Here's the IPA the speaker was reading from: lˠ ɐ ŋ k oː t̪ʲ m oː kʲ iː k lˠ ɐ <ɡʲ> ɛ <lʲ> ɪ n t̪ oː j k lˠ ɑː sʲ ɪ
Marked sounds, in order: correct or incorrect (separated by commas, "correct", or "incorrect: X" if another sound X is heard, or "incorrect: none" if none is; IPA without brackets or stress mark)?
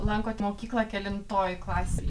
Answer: incorrect: kʲ, correct